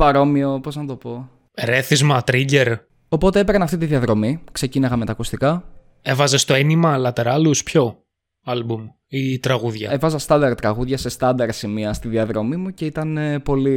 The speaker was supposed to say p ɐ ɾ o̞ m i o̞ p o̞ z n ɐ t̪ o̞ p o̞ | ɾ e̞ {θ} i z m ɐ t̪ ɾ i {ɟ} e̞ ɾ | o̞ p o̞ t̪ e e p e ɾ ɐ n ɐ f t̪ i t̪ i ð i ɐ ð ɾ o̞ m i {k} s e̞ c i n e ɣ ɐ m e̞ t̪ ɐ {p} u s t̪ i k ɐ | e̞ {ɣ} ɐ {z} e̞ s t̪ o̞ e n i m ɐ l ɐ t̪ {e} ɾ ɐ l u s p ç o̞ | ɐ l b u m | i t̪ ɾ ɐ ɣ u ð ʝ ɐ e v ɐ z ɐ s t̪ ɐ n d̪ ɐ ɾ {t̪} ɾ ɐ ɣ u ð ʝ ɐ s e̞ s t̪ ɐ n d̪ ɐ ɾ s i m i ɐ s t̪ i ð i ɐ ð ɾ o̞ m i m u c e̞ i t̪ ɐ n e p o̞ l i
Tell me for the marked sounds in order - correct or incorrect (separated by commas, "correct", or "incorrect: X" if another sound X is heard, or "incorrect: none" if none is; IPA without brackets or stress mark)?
correct, correct, correct, incorrect: k, incorrect: v, correct, correct, correct